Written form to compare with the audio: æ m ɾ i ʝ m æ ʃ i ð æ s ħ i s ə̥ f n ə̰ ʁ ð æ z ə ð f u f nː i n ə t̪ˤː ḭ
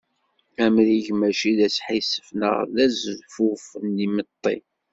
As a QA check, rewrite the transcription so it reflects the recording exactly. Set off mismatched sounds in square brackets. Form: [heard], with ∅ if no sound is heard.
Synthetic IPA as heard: æ m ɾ i ʝ m æ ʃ i ð æ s ħ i s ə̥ f n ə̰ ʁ ð æ z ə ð f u f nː i [m] ə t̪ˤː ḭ